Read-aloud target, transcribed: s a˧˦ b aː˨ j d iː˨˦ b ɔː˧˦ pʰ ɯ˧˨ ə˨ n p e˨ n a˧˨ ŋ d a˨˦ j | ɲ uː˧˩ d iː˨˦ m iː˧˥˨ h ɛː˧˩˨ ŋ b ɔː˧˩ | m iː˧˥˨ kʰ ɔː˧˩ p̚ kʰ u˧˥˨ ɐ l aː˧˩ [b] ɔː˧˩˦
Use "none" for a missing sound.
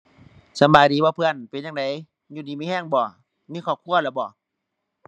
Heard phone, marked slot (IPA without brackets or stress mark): b